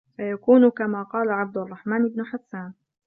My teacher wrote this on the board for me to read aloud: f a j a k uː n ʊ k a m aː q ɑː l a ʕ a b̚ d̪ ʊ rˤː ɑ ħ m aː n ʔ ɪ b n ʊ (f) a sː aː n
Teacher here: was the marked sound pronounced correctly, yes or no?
no